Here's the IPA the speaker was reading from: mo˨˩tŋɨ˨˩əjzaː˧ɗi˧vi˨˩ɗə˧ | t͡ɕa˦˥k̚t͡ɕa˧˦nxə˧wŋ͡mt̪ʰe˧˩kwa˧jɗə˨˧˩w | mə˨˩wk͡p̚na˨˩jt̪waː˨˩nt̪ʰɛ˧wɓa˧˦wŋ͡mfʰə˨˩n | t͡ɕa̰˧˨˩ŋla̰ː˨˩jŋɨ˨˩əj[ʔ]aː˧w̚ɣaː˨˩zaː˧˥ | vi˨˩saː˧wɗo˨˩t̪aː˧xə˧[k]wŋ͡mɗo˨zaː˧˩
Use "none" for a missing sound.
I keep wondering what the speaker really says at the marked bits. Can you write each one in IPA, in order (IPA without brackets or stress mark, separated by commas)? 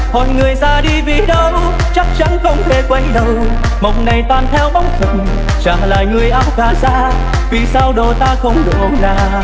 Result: ʔ, none